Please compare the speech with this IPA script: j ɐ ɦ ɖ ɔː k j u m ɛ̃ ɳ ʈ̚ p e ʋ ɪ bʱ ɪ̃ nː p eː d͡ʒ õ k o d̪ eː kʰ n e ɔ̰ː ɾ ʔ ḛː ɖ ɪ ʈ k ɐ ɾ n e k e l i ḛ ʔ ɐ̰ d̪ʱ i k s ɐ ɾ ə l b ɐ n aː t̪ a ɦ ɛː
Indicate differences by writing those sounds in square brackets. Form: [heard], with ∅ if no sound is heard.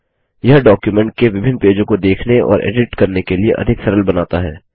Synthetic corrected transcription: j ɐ ɦ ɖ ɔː k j u m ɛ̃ ɳ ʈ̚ [k] e ʋ ɪ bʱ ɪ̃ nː p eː d͡ʒ õ k o d̪ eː kʰ n e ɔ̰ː ɾ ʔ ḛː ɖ ɪ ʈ k ɐ ɾ n e k e l i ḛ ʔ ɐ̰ d̪ʱ [ɪ] k s ɐ ɾ ə l b ɐ n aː t̪ a ɦ ɛː